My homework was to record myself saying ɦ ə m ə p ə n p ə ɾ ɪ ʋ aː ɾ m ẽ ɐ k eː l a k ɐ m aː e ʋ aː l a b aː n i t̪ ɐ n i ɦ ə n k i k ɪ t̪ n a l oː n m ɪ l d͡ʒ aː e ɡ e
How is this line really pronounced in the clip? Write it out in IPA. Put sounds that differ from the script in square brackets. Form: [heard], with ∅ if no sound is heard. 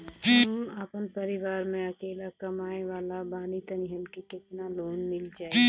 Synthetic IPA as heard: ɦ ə m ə p ə n p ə ɾ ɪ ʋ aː ɾ m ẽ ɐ k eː l a k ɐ m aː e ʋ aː l a b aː n i t̪ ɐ n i ɦ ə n k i k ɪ t̪ n a l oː n m ɪ l d͡ʒ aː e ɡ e